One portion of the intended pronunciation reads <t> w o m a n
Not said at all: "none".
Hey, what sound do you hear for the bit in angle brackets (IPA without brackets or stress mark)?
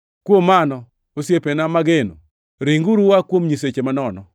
k